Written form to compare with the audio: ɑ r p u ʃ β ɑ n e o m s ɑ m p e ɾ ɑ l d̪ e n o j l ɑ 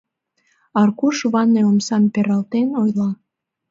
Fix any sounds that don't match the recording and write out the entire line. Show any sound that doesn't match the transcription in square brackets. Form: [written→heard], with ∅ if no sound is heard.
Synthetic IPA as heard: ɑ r [p→k] u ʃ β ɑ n e o m s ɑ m p e ɾ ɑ l [d̪→t̪] e n o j l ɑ